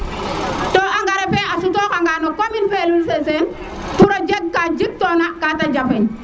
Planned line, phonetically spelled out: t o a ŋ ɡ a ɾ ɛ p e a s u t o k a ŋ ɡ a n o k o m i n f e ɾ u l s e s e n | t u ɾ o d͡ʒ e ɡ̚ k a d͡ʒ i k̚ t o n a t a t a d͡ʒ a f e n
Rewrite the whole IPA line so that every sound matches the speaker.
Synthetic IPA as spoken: t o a ŋ ɡ a ɾ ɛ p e a s u t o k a ŋ ɡ a n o k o m i n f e l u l s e s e n | t u ɾ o d͡ʒ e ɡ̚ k a d͡ʒ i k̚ t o n a k a t a d͡ʒ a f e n